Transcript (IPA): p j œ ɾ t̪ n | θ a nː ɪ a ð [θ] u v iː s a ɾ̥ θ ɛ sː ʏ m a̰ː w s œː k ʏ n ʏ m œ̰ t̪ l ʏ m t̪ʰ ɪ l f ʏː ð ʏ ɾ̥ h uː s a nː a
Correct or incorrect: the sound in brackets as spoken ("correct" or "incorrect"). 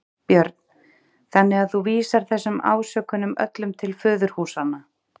correct